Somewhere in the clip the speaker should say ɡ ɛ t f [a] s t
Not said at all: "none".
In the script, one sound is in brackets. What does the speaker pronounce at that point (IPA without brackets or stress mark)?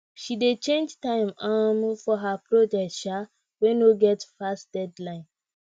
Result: a